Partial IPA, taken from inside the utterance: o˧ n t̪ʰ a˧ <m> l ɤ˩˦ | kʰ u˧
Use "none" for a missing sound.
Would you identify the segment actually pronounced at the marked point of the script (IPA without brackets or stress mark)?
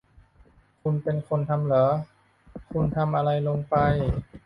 m